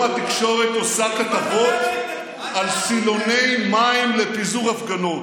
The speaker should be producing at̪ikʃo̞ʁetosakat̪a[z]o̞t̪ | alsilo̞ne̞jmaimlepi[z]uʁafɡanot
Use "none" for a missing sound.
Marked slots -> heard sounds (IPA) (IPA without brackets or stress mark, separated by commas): v, z